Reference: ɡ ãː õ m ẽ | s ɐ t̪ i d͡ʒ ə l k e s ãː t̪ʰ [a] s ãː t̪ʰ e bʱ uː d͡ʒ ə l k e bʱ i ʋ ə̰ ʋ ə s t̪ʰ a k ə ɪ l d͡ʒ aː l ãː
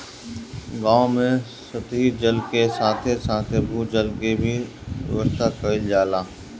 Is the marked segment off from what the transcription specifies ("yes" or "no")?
yes